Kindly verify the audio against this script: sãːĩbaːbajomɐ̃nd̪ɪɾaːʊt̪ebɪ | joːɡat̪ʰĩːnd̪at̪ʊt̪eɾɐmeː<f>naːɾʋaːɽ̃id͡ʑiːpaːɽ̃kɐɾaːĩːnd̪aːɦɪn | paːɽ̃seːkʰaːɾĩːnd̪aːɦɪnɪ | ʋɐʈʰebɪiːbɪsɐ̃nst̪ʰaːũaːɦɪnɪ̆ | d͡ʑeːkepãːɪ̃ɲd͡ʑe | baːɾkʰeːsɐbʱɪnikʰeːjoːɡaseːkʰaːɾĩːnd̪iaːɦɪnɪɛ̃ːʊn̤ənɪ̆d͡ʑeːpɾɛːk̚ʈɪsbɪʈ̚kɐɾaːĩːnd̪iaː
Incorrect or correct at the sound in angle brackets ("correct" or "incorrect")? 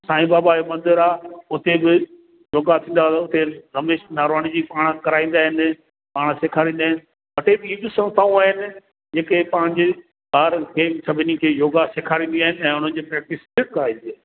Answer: incorrect